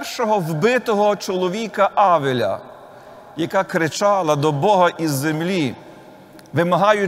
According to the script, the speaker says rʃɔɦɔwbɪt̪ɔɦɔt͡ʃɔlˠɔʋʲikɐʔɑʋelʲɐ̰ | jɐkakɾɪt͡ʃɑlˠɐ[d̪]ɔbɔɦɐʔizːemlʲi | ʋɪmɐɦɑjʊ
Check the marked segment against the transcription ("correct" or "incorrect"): correct